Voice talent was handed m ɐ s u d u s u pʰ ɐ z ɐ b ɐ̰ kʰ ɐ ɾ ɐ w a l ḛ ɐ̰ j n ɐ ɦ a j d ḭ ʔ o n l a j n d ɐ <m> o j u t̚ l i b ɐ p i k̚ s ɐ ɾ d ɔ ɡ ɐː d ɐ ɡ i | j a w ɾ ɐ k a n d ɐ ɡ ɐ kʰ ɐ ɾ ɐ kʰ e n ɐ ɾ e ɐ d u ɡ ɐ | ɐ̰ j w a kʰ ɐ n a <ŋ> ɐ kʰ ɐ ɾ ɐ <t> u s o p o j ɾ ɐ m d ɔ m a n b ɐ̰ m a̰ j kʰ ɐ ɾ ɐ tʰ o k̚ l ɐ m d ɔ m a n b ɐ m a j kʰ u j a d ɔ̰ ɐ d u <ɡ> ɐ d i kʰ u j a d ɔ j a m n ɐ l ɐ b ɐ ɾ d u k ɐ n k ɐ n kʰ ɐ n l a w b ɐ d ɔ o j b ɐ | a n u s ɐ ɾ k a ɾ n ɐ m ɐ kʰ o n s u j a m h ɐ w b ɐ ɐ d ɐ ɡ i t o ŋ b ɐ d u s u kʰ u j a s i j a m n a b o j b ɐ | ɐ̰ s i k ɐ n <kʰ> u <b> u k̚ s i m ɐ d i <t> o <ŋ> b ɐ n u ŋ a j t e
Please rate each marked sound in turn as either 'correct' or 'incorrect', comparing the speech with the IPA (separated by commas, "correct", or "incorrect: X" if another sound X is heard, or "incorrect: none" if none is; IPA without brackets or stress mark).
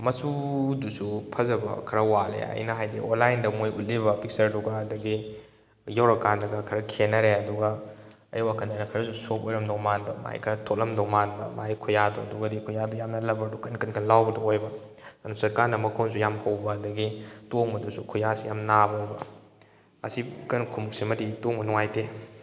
correct, incorrect: n, incorrect: s, correct, correct, incorrect: m, correct, correct